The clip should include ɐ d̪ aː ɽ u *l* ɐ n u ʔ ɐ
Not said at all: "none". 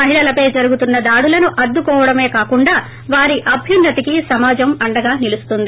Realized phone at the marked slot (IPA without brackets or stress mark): l